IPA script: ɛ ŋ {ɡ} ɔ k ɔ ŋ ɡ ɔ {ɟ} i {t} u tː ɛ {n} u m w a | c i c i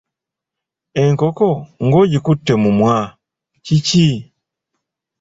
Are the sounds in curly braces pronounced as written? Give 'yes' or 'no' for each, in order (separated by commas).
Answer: no, yes, no, no